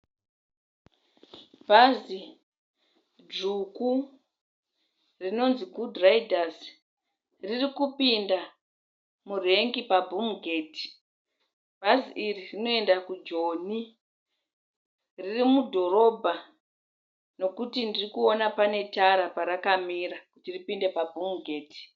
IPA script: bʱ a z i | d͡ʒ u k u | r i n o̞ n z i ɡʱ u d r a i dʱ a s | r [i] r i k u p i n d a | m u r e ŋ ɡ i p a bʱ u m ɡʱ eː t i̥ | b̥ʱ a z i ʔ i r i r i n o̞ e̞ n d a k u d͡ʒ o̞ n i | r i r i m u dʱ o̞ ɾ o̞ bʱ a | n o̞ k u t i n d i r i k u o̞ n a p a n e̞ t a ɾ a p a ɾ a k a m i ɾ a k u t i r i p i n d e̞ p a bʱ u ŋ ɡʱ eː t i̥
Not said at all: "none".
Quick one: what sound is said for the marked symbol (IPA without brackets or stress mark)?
i